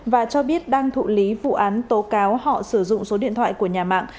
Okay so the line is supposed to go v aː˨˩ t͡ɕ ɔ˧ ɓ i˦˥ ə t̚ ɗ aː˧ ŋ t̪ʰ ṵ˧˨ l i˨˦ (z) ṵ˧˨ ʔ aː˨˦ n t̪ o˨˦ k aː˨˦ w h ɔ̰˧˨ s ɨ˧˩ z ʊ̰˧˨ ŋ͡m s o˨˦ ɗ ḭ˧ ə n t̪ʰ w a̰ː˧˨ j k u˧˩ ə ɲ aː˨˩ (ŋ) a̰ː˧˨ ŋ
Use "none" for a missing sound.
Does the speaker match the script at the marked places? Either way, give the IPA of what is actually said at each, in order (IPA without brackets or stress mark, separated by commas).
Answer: v, m